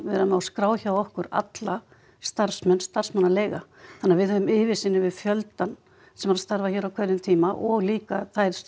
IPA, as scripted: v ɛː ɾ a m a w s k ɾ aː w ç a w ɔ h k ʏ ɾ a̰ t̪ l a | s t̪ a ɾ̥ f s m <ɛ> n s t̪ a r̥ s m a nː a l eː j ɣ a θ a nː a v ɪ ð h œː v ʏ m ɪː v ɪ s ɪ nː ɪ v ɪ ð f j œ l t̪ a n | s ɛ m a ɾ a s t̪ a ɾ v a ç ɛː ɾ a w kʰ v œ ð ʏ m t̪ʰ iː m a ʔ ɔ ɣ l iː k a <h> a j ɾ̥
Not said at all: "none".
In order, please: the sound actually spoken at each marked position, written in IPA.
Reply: ɛ, θ

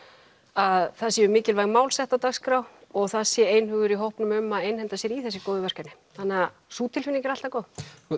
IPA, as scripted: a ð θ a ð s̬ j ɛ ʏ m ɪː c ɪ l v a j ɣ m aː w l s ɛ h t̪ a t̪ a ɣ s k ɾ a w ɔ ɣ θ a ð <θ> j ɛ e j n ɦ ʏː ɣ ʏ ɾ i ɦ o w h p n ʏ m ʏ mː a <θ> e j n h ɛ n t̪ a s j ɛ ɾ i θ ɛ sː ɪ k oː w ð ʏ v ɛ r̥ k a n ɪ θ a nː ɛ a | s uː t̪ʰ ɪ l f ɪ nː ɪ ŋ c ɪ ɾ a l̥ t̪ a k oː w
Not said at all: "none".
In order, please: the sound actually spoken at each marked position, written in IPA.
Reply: s, ð

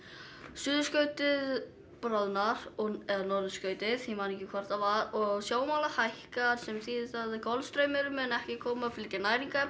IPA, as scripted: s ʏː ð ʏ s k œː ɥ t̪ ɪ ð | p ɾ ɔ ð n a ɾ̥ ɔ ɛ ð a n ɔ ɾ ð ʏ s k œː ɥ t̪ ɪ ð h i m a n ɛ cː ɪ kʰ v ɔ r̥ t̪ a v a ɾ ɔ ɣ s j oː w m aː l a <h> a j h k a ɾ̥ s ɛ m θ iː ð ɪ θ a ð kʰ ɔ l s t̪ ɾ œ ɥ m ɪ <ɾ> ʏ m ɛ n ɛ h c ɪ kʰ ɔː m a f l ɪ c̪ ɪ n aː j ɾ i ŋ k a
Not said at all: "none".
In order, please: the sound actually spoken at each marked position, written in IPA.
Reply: h, ɾ

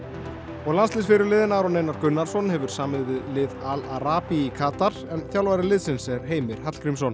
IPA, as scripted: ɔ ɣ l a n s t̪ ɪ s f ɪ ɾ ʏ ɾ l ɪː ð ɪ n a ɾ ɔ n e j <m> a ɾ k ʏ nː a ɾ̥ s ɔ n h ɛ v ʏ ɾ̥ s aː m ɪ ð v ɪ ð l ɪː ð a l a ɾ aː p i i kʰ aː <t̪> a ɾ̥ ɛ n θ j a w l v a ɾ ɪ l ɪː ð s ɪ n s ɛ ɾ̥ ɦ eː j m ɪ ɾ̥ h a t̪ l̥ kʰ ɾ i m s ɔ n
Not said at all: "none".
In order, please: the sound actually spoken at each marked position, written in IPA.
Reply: n, t̪

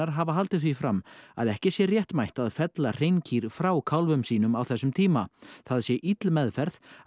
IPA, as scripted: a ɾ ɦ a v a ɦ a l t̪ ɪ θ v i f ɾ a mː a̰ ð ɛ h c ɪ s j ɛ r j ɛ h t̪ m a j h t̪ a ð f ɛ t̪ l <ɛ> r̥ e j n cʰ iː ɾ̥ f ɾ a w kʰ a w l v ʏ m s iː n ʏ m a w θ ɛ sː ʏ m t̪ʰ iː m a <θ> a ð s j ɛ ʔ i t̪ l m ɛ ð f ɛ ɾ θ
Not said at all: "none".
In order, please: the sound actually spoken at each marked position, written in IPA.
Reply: a, θ

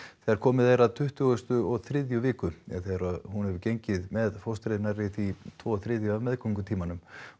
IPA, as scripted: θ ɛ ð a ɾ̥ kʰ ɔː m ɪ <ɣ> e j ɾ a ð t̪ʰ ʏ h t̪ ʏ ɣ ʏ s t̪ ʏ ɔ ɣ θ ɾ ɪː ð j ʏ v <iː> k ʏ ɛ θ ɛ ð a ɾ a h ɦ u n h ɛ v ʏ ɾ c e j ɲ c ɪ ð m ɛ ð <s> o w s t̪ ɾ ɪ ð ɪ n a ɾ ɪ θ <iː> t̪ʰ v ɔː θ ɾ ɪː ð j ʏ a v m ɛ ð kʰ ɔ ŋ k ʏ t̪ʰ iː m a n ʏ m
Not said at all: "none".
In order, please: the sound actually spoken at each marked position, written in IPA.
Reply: ð, ɪː, f, i

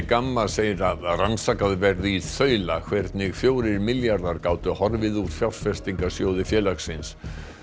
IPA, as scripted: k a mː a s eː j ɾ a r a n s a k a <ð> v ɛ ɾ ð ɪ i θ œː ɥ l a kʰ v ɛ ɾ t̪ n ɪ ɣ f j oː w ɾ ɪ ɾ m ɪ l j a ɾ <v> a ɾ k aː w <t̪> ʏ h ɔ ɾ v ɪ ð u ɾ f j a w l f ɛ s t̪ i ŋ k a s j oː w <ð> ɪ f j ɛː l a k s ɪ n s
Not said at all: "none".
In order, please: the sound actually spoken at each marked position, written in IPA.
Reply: ð, ð, t̪, ð

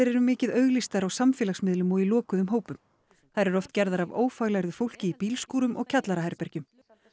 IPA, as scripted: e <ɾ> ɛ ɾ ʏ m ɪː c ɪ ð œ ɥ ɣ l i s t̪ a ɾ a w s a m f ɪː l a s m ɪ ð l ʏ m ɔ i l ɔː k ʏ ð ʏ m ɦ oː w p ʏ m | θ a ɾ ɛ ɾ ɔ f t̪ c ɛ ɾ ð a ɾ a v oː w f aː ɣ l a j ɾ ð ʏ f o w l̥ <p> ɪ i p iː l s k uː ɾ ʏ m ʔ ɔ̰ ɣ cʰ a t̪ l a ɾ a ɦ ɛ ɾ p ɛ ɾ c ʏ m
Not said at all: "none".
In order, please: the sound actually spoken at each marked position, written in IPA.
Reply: ɾ, c

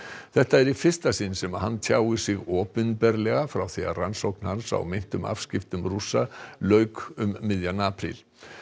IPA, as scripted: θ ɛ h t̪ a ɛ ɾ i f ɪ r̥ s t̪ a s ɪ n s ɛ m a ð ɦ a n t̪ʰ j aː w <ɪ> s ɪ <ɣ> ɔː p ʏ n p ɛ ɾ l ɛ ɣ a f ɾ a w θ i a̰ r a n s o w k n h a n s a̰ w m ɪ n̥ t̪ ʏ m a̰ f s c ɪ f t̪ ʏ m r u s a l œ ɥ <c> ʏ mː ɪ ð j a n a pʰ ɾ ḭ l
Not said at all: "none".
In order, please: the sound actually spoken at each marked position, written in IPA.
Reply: ɪ, ɣ, k

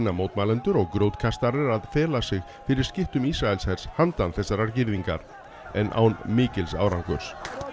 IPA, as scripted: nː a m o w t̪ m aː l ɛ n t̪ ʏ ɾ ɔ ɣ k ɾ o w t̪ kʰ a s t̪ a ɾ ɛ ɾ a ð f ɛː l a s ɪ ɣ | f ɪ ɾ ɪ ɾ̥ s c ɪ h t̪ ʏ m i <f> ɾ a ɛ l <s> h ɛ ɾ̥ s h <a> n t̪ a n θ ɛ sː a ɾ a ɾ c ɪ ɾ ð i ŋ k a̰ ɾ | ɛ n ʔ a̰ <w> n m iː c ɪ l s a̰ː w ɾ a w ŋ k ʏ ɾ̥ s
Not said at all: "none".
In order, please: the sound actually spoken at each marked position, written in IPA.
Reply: s, s, a, w

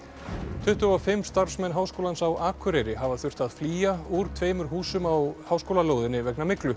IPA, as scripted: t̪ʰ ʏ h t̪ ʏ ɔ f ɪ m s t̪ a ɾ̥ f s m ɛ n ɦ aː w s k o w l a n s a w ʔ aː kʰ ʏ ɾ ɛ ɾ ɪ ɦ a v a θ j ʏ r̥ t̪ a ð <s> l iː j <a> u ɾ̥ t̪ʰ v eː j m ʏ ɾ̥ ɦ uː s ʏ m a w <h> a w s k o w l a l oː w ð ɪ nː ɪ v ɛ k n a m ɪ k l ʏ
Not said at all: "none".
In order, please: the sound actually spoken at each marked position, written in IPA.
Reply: f, a, h

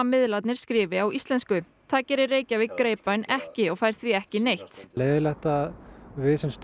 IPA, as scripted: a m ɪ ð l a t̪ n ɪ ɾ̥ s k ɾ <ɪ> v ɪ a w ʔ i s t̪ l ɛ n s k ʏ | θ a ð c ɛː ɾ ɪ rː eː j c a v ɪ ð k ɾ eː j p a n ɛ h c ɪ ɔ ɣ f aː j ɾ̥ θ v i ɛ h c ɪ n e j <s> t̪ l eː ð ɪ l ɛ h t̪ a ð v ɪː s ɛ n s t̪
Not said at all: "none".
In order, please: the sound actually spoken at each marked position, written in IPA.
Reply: ɪː, h

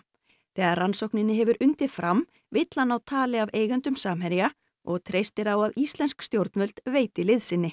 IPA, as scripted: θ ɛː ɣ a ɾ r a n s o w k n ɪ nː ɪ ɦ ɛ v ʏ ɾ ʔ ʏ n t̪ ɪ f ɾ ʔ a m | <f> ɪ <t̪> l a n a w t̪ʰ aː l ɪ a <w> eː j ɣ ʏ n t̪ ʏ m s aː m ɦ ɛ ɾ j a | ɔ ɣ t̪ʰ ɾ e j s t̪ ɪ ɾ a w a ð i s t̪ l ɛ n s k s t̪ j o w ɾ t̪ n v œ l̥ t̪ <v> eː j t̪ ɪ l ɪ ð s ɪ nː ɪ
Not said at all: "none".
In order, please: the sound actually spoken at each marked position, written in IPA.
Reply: v, t̪, v, v

